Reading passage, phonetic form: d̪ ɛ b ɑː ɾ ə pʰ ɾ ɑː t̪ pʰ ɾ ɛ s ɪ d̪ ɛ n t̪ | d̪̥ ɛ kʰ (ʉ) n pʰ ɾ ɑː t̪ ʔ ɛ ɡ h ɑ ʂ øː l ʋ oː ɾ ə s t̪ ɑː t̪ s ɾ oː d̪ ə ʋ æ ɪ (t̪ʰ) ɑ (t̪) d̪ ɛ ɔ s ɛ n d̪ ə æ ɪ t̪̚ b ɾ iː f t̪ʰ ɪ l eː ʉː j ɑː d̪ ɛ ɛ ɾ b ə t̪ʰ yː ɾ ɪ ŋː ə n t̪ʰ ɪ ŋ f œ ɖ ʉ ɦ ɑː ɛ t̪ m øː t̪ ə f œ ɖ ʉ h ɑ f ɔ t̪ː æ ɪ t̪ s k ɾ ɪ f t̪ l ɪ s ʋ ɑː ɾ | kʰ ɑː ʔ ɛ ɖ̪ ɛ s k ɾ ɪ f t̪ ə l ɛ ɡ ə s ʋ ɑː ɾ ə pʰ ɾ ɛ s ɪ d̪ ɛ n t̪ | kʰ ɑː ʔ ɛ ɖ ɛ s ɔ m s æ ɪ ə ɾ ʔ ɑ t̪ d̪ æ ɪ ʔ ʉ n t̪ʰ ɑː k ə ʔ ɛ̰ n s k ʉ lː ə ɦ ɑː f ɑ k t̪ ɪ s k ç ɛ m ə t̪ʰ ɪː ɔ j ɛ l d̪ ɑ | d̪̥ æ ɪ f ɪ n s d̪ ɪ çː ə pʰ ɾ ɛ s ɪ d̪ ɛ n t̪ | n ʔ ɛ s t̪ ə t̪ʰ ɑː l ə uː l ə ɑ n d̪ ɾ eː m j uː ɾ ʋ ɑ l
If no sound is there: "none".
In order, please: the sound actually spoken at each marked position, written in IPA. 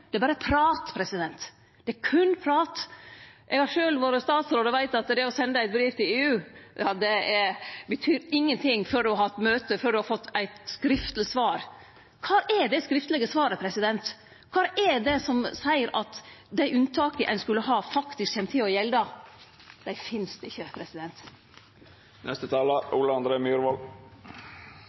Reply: ʉ, t̪, t̪

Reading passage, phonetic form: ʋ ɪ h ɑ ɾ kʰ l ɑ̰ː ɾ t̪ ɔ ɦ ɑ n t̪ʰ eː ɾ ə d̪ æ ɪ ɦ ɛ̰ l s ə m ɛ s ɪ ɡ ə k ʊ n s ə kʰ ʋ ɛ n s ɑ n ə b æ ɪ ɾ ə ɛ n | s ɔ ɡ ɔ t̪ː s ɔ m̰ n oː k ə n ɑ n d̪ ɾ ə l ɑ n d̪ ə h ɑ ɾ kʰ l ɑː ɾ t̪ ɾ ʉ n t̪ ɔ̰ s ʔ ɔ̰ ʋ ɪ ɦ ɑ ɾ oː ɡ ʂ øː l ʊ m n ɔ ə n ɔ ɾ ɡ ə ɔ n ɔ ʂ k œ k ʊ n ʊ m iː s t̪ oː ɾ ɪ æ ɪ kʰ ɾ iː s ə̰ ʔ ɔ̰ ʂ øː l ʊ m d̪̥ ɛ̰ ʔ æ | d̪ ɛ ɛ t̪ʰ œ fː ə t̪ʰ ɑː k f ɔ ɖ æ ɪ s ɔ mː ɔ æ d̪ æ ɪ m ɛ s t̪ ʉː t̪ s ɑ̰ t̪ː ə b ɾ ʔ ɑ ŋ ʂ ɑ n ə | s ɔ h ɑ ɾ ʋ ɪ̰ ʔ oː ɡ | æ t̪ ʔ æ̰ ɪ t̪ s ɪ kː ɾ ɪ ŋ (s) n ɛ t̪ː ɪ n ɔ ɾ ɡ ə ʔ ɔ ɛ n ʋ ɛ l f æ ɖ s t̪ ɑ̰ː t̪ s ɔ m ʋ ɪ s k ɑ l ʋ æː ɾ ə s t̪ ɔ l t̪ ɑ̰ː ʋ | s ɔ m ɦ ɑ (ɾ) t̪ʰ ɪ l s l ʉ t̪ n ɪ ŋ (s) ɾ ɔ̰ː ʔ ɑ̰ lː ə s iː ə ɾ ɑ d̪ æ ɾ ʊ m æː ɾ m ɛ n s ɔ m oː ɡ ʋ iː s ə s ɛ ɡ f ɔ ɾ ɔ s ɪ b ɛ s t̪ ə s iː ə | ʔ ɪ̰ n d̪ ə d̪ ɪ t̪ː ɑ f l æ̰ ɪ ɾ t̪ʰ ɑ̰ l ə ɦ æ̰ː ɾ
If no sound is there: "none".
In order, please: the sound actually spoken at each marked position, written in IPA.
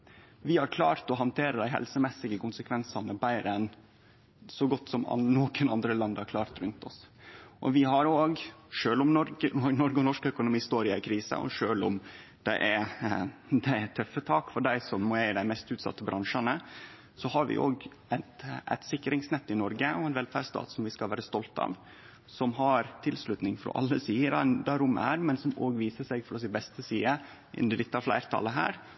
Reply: s, ɾ, f

